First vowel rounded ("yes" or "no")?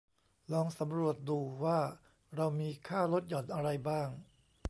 yes